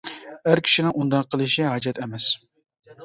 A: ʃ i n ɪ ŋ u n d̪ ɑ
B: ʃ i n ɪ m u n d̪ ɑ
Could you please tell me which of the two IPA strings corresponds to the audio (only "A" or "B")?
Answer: A